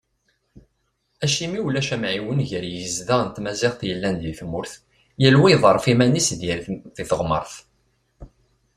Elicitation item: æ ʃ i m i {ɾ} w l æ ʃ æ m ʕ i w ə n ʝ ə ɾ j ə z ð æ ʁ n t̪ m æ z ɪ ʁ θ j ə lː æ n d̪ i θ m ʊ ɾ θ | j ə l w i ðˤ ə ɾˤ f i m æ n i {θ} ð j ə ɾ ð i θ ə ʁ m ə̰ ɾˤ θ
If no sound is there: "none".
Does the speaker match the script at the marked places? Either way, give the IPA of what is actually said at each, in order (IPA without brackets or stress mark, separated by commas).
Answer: none, s